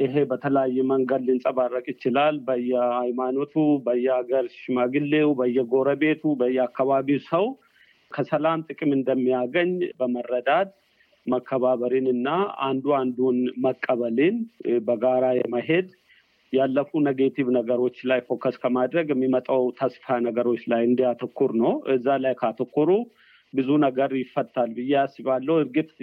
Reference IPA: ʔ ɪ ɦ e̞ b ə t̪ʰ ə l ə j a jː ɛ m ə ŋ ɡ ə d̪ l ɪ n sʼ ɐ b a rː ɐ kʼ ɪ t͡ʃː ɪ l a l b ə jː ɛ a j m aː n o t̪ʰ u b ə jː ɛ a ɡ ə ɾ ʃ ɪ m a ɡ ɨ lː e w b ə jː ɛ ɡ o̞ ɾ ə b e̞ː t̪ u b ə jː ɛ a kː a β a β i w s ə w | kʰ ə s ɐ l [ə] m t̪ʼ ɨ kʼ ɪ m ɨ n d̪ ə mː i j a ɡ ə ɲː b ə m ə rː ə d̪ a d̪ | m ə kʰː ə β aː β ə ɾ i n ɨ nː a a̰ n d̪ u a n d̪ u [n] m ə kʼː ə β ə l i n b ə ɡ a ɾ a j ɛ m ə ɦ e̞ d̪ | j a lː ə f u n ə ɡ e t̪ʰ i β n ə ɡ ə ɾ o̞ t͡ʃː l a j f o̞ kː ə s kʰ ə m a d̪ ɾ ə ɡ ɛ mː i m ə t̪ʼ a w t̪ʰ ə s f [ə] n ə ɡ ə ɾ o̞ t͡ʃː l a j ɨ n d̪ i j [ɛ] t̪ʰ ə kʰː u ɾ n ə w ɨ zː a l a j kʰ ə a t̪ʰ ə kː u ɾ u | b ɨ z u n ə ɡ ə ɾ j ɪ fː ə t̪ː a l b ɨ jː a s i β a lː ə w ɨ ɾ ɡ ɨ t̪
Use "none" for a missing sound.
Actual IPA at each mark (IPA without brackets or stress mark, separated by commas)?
a, n, a, a